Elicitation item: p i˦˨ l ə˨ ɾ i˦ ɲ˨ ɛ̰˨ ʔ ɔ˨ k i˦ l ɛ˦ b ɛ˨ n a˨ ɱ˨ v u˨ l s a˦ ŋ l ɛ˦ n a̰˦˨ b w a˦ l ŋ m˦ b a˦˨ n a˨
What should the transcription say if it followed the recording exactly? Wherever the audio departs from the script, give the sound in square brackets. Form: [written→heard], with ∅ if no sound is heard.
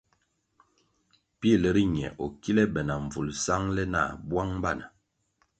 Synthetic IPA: p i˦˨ l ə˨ ɾ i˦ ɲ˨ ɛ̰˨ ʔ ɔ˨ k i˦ l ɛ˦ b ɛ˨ n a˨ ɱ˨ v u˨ l s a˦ ŋ l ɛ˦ n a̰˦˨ b w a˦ [l→∅] ŋ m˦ b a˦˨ n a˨